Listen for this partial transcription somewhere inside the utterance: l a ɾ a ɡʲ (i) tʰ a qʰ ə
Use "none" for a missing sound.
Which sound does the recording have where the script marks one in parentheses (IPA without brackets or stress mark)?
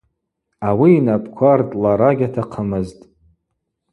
a